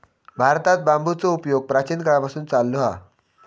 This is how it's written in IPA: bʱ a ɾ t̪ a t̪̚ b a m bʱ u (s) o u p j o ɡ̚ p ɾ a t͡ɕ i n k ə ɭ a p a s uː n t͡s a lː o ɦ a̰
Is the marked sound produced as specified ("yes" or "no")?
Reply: no